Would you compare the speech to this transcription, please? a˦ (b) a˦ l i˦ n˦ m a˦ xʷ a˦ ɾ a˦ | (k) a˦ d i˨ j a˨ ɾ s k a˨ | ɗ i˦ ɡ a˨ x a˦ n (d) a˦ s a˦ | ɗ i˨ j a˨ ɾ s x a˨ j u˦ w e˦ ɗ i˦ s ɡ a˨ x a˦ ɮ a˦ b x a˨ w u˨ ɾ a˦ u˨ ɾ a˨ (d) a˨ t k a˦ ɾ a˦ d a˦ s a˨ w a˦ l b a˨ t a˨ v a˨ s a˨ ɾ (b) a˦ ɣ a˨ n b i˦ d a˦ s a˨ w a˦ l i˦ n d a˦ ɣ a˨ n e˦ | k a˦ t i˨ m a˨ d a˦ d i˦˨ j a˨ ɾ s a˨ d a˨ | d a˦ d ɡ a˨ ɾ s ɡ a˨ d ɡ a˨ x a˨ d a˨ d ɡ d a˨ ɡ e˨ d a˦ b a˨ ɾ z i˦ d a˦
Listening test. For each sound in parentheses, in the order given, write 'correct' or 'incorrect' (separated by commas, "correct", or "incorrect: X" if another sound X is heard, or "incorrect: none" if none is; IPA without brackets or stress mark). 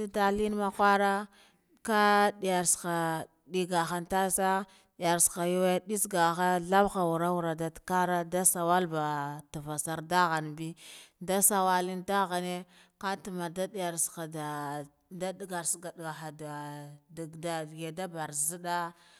incorrect: d, correct, incorrect: t, correct, incorrect: d